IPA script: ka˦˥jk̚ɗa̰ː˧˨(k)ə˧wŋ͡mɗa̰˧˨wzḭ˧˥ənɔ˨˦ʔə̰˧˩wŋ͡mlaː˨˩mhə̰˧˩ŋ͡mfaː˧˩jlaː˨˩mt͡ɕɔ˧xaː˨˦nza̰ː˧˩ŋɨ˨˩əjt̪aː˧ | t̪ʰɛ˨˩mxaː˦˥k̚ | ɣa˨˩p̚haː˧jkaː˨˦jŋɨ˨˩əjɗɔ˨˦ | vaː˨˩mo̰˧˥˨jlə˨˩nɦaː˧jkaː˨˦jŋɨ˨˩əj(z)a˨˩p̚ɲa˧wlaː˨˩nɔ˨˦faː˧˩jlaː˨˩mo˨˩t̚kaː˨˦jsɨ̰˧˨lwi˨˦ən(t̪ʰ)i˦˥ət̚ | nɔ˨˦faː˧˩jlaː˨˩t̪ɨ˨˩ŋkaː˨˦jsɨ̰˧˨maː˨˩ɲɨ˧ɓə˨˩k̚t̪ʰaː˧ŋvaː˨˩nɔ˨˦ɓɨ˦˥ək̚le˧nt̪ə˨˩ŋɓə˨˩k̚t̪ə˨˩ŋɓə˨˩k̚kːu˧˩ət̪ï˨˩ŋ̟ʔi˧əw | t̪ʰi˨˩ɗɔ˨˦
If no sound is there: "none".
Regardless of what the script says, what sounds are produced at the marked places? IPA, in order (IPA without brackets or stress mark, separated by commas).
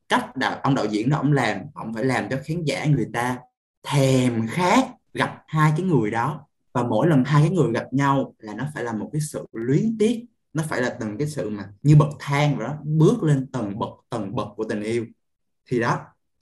ʔ, ɣ, t̪